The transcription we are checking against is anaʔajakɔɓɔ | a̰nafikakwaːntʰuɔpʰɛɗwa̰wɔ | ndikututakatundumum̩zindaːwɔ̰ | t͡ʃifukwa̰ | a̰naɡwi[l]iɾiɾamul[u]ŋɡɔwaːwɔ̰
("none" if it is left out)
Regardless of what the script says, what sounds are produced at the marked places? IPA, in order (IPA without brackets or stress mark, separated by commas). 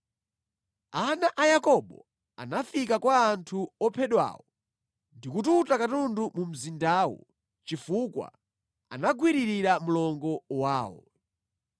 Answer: ɾ, ɔ